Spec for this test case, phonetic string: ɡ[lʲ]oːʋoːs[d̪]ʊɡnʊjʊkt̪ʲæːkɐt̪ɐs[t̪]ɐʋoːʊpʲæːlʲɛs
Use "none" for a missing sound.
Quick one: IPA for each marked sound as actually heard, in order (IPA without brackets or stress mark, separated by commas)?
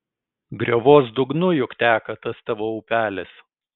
ɾʲ, d̪, t̪